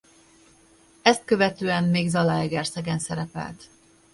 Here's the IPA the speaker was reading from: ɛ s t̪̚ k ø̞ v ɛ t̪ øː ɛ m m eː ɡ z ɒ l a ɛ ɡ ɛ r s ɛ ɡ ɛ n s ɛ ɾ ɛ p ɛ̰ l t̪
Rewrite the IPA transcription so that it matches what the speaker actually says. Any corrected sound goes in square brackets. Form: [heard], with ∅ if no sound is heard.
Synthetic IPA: ɛ s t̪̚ k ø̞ v ɛ t̪ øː ɛ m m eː ɡ z ɒ l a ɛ ɡ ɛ r s ɛ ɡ ɛ n s ɛ ɾ ɛ p ɛ̰ l t̪